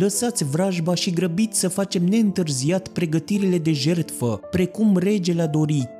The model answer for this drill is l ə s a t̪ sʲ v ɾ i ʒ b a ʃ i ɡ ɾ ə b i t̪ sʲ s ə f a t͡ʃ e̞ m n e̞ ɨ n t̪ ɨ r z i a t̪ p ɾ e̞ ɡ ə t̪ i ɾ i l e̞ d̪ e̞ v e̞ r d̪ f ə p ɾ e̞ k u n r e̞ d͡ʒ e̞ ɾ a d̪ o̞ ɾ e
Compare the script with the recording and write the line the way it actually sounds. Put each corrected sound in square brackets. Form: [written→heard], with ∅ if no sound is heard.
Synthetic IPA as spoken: l ə s a t̪ sʲ v ɾ [i→a] ʒ b a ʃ i ɡ ɾ ə b i t̪ sʲ s ə f a t͡ʃ e̞ m n e̞ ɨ n t̪ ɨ r z i a t̪ p ɾ e̞ ɡ ə t̪ i ɾ i l e̞ d̪ e̞ [v→ʒ] e̞ r [d̪→t̪] f ə p ɾ e̞ k u [n→m] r e̞ d͡ʒ e̞ [ɾ→l] a d̪ o̞ ɾ [e→i]